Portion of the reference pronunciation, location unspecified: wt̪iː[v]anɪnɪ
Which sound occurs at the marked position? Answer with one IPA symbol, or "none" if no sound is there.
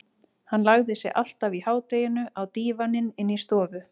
v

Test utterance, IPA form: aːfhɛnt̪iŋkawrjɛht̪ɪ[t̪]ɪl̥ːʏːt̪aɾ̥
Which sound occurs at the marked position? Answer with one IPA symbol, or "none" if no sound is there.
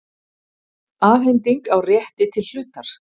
t̪ʰ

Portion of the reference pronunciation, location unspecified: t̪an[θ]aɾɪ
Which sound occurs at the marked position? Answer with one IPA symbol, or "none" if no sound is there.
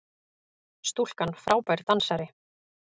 s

